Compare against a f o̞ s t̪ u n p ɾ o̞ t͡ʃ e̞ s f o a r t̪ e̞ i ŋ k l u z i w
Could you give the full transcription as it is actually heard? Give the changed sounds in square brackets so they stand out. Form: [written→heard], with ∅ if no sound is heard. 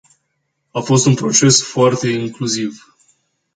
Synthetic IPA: a f o̞ s t̪ u n p ɾ o̞ t͡ʃ e̞ s f o a r t̪ e̞ i ŋ k l u z i [w→v]